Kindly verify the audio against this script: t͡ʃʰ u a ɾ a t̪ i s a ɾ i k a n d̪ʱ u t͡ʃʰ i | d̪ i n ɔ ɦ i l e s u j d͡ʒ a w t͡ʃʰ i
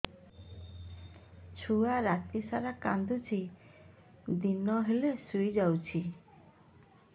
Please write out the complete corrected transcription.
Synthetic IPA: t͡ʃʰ u a ɾ a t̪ i s a ɾ a k a n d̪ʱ u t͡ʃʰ i | d̪ i n ɔ ɦ e l e s u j d͡ʒ a w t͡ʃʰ i